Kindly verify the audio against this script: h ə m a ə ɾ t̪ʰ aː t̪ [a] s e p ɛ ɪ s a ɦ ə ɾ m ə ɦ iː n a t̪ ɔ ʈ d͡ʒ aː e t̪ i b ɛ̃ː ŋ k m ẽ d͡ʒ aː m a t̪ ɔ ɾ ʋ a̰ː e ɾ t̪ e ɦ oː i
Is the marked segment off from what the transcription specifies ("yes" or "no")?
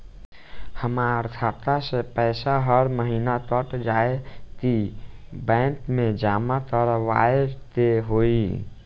no